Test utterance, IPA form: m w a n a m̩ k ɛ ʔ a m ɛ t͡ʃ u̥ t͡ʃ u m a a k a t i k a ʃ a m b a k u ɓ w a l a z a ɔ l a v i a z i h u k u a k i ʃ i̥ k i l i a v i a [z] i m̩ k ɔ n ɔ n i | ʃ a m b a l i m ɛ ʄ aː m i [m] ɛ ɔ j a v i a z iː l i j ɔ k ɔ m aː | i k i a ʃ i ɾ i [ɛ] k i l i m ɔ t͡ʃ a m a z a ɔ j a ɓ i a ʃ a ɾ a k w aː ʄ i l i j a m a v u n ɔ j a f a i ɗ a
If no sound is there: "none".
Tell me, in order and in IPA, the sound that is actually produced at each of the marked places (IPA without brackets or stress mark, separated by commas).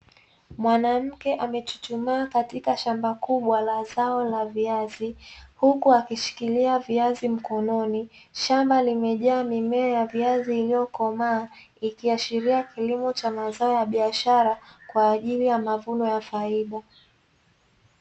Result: z, m, a